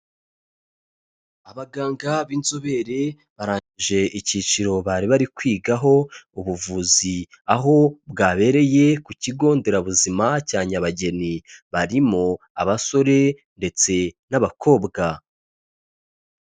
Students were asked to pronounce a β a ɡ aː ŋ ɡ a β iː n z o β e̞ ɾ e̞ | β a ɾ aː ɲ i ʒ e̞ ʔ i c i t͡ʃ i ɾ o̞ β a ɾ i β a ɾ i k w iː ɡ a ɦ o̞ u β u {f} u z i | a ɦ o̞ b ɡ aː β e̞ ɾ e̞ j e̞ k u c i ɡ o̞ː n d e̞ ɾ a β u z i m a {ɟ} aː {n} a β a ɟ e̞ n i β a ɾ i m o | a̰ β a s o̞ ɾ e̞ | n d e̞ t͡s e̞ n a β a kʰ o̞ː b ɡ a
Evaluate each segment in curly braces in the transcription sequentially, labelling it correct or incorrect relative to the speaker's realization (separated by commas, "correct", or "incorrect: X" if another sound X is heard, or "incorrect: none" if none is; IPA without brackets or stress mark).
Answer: incorrect: v, incorrect: c, incorrect: ɲ